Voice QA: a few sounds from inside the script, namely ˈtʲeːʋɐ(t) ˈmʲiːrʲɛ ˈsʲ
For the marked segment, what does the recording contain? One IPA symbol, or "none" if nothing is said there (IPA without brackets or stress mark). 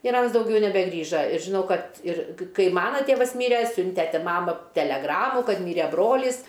s